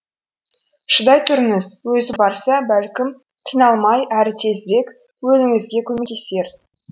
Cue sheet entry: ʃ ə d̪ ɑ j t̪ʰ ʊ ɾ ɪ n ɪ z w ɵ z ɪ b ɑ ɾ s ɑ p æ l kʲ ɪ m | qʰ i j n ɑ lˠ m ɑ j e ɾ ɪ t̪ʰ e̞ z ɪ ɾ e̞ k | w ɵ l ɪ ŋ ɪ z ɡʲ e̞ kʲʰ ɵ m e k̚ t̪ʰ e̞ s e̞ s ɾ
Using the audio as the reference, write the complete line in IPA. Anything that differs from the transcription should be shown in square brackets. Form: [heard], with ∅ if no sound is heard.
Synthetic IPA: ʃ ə d̪ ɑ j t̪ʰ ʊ ɾ ɪ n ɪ z w ɵ z ɪ b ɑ ɾ s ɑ [b] æ l kʲ ɪ m | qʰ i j n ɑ lˠ m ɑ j [æ] ɾ ɪ t̪ʰ e̞ z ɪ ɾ e̞ k | w ɵ l ɪ ŋ ɪ z ɡʲ e̞ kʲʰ ɵ m e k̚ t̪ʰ e̞ s e̞ [∅] ɾ